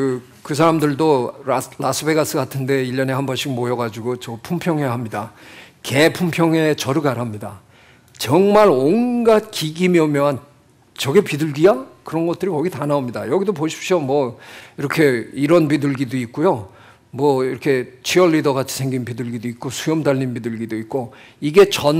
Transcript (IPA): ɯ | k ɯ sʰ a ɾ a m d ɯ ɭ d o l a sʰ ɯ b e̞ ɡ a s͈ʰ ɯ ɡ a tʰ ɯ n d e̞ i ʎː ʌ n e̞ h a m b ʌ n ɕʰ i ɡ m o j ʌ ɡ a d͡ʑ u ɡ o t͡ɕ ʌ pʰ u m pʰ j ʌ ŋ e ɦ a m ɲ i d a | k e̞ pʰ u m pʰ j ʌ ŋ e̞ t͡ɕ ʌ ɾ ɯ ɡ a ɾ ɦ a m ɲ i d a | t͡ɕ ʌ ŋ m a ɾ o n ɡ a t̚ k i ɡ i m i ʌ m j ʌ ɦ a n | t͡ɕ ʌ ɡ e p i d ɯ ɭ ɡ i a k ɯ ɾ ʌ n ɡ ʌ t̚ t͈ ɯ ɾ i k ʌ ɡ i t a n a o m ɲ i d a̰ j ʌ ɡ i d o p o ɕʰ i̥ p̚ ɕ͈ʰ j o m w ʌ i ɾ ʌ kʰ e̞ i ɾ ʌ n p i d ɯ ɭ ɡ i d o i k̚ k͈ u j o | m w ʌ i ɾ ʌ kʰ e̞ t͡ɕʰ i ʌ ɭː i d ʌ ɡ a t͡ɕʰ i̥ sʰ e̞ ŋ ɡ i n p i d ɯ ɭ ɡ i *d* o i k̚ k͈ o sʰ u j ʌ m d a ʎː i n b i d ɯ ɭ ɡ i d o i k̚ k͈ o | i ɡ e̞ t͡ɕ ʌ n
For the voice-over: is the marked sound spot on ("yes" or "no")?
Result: yes